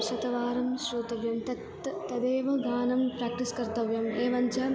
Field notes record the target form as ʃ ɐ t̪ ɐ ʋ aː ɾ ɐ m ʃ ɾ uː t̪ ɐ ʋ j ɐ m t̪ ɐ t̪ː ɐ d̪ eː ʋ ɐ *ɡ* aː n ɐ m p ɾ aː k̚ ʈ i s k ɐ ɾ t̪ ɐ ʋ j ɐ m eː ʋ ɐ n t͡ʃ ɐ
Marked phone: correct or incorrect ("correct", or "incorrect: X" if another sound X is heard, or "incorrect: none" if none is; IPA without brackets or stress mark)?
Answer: correct